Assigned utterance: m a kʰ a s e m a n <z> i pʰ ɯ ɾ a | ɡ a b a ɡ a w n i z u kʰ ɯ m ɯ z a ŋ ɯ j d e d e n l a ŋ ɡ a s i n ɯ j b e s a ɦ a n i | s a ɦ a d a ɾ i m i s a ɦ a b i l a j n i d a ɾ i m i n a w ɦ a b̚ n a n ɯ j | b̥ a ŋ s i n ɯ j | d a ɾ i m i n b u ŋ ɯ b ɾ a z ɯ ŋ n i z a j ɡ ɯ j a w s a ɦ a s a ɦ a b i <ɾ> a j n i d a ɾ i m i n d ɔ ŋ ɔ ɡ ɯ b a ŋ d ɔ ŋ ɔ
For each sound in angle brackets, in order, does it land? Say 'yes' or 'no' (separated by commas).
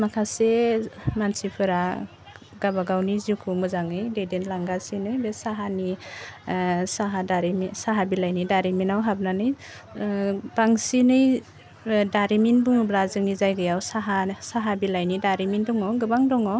no, no